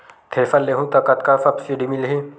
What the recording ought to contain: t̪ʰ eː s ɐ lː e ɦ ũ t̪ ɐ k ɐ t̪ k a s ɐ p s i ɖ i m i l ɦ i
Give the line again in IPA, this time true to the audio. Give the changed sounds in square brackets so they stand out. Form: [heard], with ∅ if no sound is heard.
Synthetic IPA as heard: t̪ʰ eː [f] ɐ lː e ɦ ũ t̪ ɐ k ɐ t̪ k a [f] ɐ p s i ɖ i m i l ɦ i